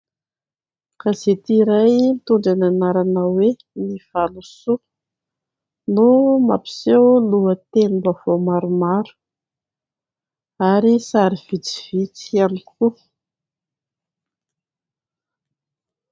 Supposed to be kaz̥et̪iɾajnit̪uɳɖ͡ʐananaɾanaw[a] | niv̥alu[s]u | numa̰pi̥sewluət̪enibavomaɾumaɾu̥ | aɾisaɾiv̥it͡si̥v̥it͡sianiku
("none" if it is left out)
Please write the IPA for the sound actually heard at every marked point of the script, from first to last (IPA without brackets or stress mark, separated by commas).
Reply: e, s